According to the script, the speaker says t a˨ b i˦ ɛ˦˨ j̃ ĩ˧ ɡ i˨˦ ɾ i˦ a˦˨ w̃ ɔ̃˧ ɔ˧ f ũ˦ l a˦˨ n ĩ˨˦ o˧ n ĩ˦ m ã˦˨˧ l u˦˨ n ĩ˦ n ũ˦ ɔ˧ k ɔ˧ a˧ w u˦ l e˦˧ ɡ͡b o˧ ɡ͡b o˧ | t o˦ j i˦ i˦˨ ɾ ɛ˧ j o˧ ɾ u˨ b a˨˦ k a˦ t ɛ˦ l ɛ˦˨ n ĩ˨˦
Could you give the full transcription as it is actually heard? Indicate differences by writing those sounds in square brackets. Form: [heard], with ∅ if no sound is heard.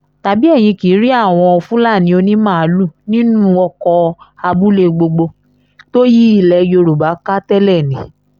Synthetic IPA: t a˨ b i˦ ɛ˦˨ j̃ ĩ˧ [k] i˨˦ ɾ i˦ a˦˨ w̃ ɔ̃˧ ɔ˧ f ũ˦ l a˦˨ n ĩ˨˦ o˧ n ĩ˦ m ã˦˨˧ l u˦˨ n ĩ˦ n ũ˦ ɔ˧ k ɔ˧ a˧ [b] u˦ l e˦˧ ɡ͡b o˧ ɡ͡b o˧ | t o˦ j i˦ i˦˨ [l] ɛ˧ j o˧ ɾ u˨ b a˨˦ k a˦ t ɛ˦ l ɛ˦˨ n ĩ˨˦